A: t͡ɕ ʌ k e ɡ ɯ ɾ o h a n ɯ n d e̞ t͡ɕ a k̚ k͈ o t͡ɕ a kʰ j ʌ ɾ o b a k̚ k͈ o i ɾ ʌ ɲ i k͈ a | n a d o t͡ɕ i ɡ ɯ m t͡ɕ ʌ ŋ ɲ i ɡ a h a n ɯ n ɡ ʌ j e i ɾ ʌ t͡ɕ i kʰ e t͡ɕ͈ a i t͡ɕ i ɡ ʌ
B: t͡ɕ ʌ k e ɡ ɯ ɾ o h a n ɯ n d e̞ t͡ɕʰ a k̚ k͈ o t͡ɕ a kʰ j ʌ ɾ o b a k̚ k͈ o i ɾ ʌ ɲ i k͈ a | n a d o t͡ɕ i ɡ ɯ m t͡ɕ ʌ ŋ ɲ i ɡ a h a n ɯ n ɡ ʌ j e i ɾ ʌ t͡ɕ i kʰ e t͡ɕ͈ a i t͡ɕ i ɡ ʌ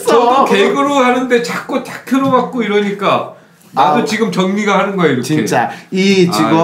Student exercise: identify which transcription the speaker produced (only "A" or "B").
A